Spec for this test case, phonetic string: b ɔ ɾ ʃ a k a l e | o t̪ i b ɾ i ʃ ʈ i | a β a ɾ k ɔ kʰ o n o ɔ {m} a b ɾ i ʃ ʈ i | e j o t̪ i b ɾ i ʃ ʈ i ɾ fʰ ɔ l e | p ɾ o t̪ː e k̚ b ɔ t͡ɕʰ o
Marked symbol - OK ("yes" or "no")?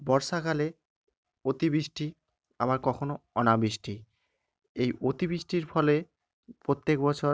no